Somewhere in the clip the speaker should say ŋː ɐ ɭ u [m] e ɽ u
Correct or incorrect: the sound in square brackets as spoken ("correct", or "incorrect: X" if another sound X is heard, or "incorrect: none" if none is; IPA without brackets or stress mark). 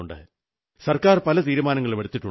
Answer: correct